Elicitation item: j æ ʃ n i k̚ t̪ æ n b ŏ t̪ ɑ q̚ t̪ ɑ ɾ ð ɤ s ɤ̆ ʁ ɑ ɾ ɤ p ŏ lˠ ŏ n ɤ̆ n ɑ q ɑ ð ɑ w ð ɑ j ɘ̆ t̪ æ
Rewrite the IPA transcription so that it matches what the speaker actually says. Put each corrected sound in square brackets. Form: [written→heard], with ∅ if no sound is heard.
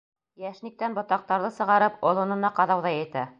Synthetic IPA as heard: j æ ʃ n i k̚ t̪ æ n b ŏ t̪ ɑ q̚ t̪ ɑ ɾ ð ɤ s ɤ̆ ʁ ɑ ɾ ɤ p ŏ lˠ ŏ n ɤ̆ n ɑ q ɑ ð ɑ w ð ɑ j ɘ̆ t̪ æ